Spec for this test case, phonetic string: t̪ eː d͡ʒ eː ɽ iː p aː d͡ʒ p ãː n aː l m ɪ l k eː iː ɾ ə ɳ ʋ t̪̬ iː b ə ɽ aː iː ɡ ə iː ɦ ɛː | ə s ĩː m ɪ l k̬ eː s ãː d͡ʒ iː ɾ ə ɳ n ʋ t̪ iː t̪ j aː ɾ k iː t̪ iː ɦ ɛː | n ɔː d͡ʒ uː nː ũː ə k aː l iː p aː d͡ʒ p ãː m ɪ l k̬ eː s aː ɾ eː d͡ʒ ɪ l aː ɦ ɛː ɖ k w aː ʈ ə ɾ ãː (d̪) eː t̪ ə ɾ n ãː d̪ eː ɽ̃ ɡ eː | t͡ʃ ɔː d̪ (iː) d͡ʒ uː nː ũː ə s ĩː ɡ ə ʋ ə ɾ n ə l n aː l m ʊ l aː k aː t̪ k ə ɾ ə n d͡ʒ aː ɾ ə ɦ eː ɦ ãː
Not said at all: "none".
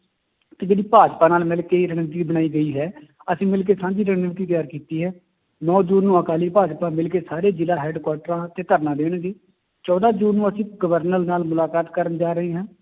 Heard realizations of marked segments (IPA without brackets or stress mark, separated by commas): t̪, aː